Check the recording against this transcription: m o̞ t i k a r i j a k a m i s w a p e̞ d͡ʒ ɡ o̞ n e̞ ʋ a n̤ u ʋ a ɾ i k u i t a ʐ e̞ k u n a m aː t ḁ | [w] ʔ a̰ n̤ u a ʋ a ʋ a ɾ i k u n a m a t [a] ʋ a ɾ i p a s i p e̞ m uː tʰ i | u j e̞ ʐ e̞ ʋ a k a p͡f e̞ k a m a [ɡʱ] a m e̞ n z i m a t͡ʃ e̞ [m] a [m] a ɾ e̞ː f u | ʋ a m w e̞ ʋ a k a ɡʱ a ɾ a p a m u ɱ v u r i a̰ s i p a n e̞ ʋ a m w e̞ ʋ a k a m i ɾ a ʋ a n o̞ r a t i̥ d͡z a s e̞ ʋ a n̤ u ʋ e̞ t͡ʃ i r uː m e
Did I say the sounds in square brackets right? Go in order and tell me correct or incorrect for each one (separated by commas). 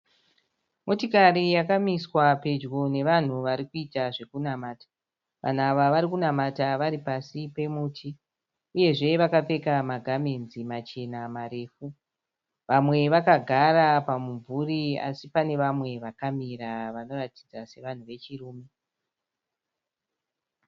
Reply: incorrect, correct, correct, incorrect, correct